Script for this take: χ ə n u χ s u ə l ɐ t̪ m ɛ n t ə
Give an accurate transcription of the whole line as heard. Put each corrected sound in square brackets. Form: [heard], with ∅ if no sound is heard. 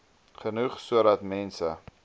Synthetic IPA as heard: χ ə n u χ s u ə [ɾ] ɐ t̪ m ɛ n [s] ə

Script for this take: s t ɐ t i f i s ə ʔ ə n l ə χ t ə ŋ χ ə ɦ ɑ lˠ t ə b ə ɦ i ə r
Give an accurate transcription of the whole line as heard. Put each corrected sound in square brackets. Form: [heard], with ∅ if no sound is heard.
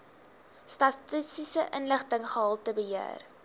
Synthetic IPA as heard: s t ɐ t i [s] i s ə ʔ ə n l ə χ t ə ŋ χ ə ɦ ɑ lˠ t ə b ə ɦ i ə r

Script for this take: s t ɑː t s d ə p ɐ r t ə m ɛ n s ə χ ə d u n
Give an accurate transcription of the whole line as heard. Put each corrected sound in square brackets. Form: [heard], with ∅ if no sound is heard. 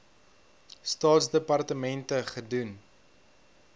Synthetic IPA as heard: s t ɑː t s d ə p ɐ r t ə m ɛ n [t] ə χ ə d u n

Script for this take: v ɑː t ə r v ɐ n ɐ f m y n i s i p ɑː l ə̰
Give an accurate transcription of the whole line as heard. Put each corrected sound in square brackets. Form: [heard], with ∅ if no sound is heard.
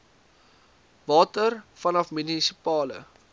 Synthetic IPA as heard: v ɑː t ə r [f] ɐ n ɐ f m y n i s i p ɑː l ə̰

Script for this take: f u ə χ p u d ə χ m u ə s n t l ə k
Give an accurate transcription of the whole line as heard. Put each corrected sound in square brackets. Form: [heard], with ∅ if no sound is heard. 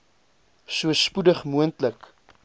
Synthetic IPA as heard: [s] u ə [s] p u d ə χ m u ə [∅] n t l ə k

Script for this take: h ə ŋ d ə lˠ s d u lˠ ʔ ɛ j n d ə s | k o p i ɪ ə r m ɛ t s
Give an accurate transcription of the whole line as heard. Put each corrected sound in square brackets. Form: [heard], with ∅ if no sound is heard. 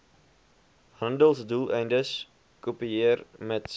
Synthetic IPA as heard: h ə [n] d ə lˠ s d u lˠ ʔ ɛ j n d ə s | k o p i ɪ ə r m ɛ t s

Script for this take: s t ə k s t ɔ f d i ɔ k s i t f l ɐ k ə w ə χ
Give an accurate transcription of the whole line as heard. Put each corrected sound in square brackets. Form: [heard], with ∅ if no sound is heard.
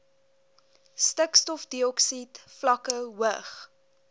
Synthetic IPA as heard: s t ə k s t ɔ f d i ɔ k s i t f l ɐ k ə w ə χ

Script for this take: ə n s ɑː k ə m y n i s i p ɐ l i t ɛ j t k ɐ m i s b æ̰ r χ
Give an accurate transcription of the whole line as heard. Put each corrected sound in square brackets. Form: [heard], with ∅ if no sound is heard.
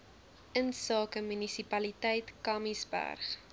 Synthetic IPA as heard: ə n s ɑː k ə m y n i s i p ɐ l i t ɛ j t k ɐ m i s b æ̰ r χ

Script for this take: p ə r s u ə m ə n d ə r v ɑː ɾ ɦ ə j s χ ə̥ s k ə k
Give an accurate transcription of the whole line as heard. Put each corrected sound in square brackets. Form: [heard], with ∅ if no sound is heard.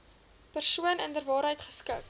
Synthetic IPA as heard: p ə r s u ə [n] ə n d ə r v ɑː ɾ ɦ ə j [t] χ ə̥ s k ə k

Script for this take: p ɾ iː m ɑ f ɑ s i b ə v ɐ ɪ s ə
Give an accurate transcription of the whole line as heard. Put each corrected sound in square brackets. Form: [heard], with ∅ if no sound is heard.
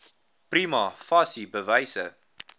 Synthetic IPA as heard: p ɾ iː m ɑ f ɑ s i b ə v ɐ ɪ s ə

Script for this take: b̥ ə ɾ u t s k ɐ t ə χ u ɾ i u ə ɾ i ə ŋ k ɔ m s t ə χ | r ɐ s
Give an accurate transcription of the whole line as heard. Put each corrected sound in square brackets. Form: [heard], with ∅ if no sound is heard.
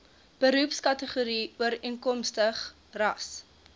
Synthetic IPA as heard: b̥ ə ɾ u [p] s k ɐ t ə χ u ɾ i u ə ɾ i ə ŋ k ɔ m s t ə χ | r ɐ s

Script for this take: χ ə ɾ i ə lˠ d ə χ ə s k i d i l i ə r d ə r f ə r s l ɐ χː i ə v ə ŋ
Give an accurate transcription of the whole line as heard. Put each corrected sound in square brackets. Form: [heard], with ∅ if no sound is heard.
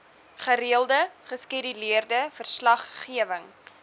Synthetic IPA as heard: χ ə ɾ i ə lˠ d ə χ ə s k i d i l i ə r d ə [∅] f ə r s l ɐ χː i ə v ə ŋ

